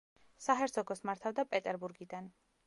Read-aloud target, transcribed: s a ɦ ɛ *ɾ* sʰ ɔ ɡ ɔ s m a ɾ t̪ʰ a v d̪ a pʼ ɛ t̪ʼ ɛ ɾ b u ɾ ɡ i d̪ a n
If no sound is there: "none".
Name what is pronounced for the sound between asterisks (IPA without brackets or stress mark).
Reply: ɾ